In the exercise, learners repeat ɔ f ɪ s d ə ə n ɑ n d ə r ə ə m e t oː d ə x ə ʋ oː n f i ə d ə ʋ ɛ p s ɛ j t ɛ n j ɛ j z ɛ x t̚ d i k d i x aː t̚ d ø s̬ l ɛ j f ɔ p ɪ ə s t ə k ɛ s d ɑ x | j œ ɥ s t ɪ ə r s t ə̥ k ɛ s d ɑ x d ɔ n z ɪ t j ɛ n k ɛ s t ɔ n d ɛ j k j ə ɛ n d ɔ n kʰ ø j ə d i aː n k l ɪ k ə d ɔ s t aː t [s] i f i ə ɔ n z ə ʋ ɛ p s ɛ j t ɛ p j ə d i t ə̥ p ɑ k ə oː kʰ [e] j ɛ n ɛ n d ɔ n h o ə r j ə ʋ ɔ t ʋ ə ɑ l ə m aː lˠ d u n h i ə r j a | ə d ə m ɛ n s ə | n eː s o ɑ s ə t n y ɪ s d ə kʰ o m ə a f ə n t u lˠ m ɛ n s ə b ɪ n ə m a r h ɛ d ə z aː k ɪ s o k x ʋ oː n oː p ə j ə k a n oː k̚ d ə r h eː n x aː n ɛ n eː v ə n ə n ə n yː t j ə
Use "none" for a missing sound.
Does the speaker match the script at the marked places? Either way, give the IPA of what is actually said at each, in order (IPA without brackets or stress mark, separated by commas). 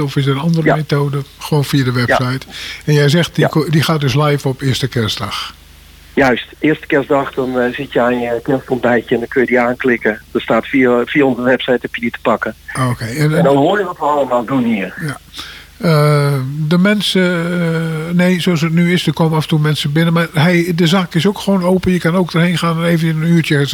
f, e